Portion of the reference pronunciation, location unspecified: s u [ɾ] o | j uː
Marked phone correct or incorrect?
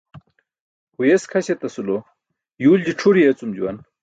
incorrect